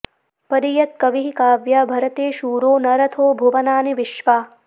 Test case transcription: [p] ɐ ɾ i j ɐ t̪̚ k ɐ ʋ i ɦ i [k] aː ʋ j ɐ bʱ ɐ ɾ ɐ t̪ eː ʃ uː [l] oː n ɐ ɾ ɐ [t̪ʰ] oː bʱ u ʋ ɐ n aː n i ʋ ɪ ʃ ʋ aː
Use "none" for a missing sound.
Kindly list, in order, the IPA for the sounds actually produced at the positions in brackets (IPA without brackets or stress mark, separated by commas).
p, k, ɾ, t̪ʰ